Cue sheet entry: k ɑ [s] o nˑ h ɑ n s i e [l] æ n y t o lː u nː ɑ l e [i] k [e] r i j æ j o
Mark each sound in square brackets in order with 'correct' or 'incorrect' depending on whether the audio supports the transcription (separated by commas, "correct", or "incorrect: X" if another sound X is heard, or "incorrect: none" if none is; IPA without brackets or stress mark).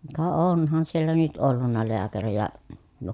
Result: incorrect: none, incorrect: lː, incorrect: æ, incorrect: æ